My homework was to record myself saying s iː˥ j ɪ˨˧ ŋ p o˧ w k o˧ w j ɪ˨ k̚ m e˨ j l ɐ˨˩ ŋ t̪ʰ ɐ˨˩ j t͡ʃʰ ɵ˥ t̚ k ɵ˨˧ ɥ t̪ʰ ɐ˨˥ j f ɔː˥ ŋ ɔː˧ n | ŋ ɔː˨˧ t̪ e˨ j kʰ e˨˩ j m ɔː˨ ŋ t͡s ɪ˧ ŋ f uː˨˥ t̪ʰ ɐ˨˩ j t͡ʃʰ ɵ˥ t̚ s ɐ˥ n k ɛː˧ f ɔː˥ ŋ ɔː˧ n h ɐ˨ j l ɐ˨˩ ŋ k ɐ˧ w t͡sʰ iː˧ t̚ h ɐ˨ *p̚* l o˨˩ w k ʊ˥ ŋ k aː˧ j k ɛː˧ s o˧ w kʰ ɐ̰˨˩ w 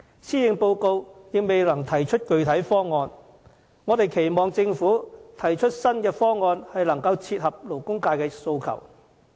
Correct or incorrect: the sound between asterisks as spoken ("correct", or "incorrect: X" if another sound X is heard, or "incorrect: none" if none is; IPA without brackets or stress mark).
correct